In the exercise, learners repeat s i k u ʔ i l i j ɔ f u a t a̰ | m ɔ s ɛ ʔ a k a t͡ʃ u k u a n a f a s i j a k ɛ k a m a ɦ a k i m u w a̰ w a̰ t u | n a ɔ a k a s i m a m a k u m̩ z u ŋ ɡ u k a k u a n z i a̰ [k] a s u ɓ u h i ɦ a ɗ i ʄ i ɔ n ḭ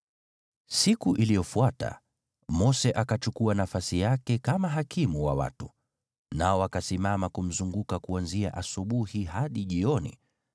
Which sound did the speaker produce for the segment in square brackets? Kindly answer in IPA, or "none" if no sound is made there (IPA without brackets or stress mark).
ʔ